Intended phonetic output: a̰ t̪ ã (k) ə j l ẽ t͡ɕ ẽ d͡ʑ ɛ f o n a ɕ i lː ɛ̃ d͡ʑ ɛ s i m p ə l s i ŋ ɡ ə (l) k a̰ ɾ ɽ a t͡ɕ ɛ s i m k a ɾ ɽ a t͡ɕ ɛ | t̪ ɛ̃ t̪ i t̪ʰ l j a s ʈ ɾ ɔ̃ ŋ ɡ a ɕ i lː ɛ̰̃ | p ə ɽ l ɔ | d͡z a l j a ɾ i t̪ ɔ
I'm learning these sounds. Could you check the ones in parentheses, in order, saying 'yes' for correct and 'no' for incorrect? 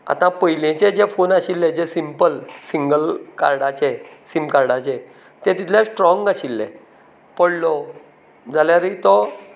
no, yes

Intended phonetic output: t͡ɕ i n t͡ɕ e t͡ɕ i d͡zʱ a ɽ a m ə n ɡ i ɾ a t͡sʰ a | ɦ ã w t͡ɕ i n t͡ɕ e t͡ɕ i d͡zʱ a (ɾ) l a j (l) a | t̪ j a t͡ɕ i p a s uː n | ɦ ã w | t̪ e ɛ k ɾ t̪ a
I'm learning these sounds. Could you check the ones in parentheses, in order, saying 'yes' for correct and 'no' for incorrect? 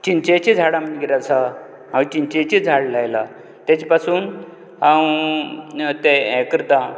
no, yes

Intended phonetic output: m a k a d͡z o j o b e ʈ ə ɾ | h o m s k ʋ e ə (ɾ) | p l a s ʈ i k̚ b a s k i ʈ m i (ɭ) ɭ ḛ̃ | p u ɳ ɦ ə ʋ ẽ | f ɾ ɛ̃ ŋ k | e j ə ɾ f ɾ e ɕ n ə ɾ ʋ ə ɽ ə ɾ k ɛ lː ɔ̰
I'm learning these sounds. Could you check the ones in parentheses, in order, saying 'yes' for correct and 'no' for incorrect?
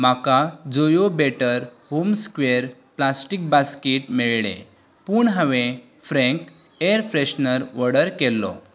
yes, yes

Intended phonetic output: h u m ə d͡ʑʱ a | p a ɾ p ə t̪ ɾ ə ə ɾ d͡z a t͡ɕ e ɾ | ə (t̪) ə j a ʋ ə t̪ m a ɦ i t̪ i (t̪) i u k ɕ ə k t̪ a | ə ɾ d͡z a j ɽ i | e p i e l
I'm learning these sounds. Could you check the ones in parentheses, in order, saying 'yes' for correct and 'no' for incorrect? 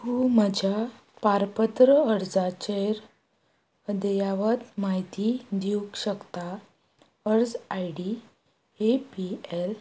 no, no

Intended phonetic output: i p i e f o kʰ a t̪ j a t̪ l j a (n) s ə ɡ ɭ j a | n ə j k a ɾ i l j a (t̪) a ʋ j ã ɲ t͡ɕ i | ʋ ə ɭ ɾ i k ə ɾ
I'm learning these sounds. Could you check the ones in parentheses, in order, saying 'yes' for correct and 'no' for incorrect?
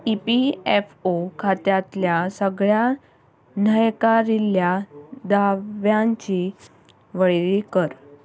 no, no

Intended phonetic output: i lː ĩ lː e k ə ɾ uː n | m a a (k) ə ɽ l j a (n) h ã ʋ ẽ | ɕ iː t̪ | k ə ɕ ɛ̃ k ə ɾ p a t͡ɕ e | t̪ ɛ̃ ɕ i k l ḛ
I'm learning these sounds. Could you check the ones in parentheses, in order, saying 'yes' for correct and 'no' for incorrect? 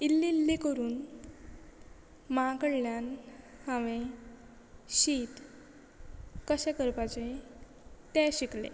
yes, yes

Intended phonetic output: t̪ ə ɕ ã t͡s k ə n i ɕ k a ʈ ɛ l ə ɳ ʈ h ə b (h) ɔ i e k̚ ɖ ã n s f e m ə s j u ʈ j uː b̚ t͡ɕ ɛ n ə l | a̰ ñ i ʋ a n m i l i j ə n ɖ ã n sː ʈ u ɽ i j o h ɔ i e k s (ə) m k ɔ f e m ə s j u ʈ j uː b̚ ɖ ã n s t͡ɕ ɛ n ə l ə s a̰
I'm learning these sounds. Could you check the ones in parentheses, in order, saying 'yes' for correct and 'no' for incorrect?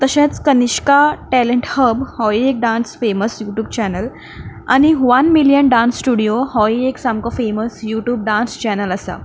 yes, no

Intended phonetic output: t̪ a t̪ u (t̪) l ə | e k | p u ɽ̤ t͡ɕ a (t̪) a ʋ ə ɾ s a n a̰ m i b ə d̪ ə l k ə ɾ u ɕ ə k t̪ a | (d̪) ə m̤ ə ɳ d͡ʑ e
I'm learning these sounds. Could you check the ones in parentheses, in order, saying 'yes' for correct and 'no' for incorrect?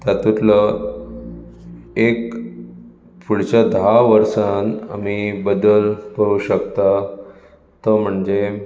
yes, no, no

